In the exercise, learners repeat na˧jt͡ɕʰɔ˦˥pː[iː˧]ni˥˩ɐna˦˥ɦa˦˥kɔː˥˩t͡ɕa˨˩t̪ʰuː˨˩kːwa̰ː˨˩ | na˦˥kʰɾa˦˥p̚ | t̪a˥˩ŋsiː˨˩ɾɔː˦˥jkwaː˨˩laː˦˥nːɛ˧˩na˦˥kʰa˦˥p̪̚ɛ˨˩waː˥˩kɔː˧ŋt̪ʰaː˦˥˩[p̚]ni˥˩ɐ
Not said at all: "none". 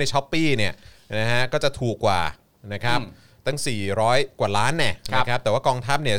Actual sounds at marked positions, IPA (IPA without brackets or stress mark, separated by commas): iː˥˩, p̚